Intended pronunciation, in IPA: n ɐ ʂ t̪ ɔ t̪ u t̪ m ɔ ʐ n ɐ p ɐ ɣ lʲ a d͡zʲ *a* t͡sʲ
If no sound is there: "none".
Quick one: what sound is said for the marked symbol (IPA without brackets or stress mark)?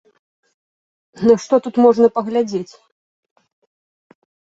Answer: e